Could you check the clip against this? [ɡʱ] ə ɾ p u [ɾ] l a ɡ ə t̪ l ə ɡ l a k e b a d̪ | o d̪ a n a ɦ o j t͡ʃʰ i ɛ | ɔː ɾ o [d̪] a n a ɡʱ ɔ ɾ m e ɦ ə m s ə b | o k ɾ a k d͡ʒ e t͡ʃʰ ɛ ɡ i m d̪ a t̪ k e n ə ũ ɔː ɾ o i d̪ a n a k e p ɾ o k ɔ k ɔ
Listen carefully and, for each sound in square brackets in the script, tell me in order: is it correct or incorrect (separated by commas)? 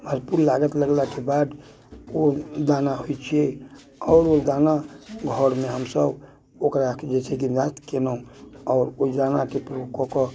incorrect, correct, correct